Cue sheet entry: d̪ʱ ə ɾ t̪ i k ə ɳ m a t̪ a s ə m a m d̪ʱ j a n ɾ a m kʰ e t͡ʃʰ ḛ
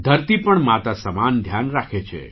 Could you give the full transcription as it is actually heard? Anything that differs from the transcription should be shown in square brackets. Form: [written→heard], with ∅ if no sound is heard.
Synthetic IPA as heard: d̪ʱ ə ɾ t̪ i [k→p] ə ɳ m a t̪ a s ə m a [m→n] d̪ʱ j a n ɾ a [m→∅] kʰ e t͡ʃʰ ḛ